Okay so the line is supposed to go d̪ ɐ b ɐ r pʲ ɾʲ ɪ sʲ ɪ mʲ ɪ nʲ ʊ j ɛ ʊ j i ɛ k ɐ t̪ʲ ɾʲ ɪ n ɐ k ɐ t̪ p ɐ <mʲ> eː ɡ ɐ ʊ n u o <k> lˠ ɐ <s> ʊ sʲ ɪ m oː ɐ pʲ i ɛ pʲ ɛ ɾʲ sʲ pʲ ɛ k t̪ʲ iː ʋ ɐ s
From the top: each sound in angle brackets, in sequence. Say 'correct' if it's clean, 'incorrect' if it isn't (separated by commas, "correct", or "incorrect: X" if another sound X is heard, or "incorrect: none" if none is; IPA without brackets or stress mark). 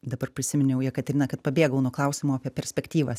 incorrect: bʲ, correct, incorrect: none